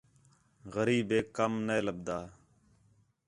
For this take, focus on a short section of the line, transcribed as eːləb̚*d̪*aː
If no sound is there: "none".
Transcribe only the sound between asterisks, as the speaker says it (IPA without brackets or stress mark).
d̪